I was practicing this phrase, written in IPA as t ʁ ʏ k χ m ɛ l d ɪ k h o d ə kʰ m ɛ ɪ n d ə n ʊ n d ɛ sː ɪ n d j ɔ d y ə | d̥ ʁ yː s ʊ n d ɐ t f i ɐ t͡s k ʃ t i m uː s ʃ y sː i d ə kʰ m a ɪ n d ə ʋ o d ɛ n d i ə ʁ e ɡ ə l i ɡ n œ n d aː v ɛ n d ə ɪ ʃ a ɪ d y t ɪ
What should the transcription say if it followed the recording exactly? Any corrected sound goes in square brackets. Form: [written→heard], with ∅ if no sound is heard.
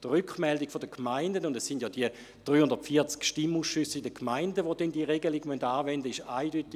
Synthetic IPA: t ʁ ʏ k χ m ɛ l d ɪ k [h→f] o d ə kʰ m [ɛ→a] ɪ n d ə n ʊ n d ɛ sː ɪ n d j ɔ d [y→i] ə | d̥ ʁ yː [s→h] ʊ n d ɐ t f i ɐ t͡s k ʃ t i m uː s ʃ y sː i d ə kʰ m a ɪ n d ə ʋ o d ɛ n d i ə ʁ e ɡ ə l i ɡ [n→m] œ n d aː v ɛ n d ə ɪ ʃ a ɪ d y t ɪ